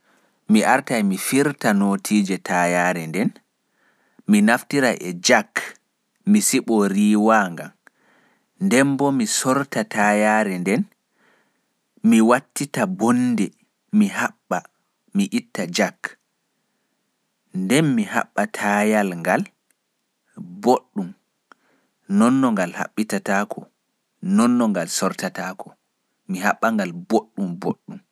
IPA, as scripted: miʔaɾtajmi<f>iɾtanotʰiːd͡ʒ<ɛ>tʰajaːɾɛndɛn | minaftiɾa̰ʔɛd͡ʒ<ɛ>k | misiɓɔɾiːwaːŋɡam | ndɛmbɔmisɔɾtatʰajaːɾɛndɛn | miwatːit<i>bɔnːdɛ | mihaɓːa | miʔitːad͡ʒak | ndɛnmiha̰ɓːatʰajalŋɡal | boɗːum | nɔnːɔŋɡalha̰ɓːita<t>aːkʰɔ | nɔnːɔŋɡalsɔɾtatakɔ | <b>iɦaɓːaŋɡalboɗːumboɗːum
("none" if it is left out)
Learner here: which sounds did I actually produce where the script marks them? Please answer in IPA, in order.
f, ɛ, a, a, t, m

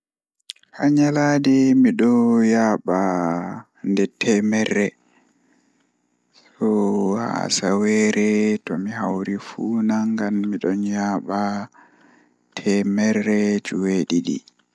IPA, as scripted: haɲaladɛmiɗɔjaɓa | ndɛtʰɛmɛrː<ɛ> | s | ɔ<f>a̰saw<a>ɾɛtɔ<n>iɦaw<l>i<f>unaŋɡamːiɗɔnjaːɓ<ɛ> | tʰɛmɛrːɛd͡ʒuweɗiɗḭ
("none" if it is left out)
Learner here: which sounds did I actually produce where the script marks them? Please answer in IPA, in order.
ɛ, h, ɛ, m, ɾ, f, a

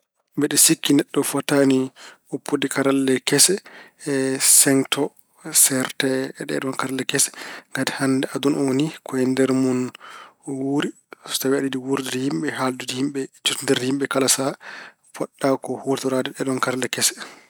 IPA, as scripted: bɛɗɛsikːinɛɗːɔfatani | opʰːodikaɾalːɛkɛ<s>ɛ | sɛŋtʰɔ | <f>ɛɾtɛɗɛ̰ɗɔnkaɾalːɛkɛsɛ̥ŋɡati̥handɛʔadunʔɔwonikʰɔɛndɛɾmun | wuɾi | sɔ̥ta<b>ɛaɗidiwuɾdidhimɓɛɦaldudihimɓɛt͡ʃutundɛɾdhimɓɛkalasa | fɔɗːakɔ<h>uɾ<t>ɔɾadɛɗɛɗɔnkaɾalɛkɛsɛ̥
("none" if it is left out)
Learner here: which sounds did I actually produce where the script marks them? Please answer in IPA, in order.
s, s, w, h, t

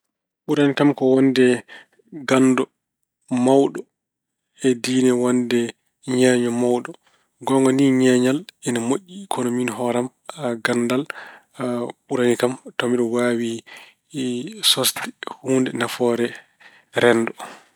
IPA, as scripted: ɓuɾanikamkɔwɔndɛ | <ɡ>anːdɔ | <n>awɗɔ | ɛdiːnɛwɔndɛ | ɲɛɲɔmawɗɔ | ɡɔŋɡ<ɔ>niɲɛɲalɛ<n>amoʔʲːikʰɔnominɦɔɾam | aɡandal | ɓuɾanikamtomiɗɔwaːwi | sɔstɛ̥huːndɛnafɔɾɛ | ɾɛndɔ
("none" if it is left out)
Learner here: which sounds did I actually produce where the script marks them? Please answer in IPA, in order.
ɡ, m, ɔ, n

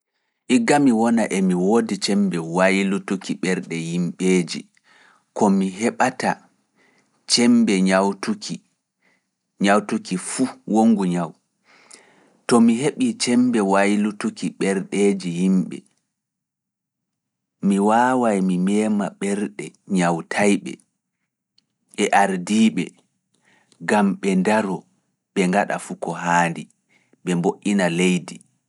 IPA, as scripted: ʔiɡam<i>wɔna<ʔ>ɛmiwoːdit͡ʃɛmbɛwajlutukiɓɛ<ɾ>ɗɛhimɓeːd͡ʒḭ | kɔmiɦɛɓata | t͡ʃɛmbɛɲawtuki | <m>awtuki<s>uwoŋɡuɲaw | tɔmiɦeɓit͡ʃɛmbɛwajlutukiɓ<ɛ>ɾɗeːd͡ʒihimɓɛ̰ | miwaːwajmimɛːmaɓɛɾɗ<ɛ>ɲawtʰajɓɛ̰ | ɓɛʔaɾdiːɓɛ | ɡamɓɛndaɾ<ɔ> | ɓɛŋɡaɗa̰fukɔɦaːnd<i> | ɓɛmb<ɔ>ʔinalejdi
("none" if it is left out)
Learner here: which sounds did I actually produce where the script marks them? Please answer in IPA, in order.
i, ʔ, ɾ, ɲ, f, ɛ, ɛ, ɔ, i, o

